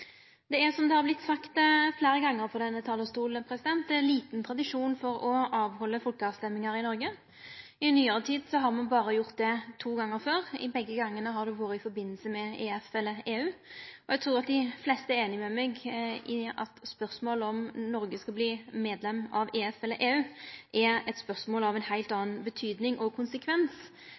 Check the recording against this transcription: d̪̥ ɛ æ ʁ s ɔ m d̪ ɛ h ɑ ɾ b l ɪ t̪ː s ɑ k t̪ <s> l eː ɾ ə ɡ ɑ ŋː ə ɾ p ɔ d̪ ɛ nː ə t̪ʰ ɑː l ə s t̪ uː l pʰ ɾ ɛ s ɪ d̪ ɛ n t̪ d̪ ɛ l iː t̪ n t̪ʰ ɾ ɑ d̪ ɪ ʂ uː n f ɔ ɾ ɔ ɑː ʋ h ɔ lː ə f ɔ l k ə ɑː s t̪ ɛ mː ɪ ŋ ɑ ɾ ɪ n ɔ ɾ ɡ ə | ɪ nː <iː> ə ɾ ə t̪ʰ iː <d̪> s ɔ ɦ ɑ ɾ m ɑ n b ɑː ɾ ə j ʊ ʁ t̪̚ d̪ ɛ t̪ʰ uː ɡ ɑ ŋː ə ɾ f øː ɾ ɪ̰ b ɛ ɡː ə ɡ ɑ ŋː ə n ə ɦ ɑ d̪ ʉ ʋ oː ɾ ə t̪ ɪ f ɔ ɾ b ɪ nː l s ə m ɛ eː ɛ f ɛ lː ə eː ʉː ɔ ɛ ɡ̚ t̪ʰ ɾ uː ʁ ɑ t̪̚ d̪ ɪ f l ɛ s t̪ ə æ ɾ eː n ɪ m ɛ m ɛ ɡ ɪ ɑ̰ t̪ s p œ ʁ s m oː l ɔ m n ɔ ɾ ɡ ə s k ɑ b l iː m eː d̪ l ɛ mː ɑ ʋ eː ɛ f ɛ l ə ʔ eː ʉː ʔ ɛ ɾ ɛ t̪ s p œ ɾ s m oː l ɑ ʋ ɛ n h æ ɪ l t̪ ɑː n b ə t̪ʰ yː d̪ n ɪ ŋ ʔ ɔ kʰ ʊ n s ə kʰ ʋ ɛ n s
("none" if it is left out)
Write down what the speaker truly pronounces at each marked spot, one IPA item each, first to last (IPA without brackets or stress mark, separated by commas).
f, yː, d̪